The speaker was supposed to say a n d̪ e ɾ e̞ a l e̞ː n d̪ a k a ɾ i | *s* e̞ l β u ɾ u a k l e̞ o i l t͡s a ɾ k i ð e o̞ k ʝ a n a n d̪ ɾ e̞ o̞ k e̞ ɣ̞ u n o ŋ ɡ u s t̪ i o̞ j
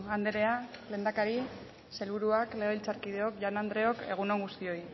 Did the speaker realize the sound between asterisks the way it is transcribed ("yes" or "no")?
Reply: yes